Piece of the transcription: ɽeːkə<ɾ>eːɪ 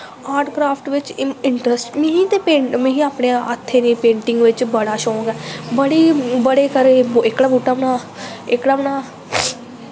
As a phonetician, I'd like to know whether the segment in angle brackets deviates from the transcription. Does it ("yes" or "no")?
no